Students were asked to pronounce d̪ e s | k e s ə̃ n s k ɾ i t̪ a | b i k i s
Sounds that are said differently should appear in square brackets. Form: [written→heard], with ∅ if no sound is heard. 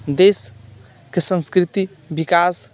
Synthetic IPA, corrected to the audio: d̪ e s | k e s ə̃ n s k ɾ i t̪ [a→i] | b i k [i→a] s

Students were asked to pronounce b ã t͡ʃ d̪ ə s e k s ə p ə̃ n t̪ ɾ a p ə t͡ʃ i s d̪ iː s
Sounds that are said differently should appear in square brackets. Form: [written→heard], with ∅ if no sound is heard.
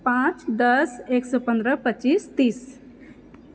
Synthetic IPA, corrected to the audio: [b→p] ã t͡ʃ d̪ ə s e k s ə p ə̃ n [t̪→d̪] ɾ [a→ə] p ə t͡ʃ i s [d̪→t̪] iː s

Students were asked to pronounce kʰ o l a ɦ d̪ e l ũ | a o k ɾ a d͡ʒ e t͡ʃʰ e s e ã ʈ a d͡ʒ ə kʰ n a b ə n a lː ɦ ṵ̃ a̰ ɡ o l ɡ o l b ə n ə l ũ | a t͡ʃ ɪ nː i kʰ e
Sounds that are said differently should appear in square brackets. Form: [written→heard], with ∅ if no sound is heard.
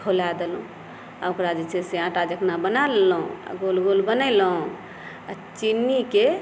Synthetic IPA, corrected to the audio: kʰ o l a [ɦ→∅] d̪ e l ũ | a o k ɾ a d͡ʒ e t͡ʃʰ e s e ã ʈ a d͡ʒ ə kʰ n a b ə n a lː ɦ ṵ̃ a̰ ɡ o l ɡ o l b ə n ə l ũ | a t͡ʃ [ɪ→i] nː i [kʰ→k] e

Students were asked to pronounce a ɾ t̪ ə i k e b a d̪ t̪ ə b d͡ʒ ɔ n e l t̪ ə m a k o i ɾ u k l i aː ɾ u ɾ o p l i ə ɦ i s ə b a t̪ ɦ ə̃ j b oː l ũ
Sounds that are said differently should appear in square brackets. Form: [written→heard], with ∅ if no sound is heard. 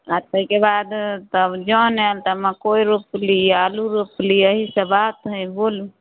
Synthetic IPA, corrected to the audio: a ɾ t̪ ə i k e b a d̪ t̪ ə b d͡ʒ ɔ n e l t̪ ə m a k o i ɾ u [k→p] l i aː [ɾ→l] u ɾ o p l i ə ɦ i s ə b a t̪ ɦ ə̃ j b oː l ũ

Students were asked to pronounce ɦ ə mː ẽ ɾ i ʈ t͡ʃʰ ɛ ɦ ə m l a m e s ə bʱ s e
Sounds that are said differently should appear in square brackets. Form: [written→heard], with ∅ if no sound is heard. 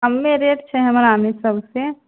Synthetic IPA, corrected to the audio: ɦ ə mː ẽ ɾ [i→e] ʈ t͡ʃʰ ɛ ɦ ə m [l→ɾ] a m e s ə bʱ s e

